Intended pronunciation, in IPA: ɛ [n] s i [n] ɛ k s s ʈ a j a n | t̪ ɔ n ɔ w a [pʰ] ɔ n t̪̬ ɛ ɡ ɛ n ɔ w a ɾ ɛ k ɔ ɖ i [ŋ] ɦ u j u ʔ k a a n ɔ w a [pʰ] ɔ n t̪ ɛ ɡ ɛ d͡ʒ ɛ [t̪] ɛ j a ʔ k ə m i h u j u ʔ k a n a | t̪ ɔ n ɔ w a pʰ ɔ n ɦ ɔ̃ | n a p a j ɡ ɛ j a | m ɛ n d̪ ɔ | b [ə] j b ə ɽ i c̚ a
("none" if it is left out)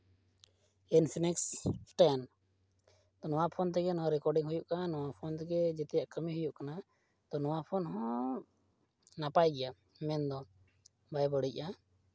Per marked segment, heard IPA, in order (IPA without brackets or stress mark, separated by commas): n, n, pʰ, ŋ, pʰ, t̪, a